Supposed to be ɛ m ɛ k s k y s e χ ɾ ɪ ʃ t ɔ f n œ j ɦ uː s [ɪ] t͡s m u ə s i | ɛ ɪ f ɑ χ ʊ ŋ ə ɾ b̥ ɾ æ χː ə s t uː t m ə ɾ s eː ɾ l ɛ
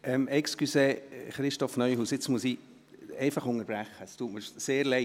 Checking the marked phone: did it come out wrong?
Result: no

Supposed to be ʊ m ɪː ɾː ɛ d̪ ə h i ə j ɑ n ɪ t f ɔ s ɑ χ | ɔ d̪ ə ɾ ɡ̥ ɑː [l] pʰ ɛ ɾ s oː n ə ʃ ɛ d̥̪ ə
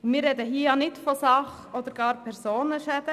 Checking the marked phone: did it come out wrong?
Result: yes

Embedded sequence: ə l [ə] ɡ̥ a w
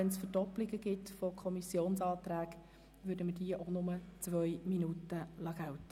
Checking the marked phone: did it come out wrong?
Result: yes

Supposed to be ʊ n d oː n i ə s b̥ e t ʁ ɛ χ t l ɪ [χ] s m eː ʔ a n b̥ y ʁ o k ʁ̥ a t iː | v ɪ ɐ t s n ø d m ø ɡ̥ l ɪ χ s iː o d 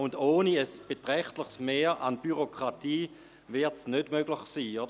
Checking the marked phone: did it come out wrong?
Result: no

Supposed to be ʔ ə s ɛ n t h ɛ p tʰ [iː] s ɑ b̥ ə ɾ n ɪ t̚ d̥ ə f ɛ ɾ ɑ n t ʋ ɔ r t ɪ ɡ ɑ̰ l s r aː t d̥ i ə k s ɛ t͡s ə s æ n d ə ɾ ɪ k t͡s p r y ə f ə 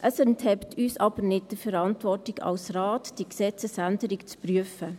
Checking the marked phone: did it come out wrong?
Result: yes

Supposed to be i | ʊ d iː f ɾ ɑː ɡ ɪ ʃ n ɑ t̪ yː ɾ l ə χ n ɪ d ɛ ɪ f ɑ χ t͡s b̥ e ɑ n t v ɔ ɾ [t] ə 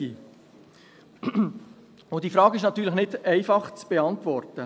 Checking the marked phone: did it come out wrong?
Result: no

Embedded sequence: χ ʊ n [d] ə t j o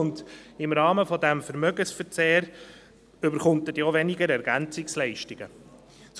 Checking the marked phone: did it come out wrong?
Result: yes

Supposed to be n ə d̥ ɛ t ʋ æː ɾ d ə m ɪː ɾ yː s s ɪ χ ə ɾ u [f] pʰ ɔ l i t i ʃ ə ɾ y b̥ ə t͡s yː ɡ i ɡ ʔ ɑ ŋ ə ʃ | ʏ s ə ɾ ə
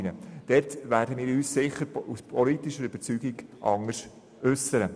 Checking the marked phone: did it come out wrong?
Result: yes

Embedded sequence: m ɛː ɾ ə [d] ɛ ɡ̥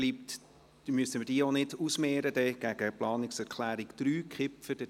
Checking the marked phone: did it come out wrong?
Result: no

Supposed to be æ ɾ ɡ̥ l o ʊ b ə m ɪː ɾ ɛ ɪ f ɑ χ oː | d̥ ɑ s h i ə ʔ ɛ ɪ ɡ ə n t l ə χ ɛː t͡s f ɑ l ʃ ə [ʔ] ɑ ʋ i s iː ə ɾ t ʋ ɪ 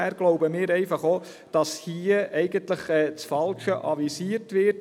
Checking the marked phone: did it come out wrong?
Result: no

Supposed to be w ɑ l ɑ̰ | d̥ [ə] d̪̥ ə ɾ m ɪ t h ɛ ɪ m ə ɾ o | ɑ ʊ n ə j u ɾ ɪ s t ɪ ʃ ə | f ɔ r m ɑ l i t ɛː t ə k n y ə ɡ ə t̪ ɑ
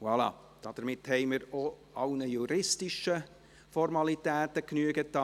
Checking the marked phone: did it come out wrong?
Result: yes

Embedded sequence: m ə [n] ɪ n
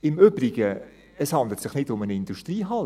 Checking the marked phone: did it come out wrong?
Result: no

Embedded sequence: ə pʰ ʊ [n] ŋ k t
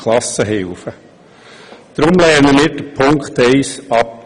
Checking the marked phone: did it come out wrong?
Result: yes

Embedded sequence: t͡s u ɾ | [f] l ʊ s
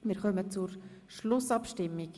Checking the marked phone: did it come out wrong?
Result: yes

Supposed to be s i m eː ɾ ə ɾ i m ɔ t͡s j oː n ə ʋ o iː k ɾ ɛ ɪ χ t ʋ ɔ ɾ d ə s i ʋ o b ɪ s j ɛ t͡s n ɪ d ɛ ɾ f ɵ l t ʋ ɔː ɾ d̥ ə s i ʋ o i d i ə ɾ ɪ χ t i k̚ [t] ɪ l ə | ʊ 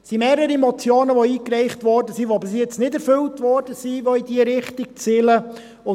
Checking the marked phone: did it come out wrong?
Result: yes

